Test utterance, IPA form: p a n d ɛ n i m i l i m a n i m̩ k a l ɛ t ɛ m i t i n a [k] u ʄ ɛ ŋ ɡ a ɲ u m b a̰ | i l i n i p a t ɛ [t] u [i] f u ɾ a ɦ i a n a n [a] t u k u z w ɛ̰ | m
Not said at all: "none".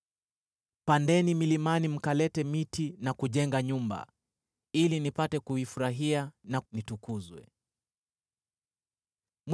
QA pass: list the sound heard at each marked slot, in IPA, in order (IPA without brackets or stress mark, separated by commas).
k, k, i, i